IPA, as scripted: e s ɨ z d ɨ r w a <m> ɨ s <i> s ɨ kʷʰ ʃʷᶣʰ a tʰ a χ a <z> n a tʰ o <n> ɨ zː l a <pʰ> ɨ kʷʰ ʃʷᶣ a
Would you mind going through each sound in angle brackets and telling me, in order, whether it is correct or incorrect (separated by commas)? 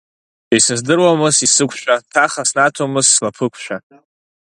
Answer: correct, correct, incorrect, incorrect, correct